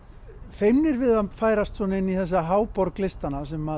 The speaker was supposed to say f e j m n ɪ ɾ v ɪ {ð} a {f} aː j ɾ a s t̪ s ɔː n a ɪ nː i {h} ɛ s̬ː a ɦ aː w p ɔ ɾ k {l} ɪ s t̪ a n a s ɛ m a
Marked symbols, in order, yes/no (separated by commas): yes, yes, no, yes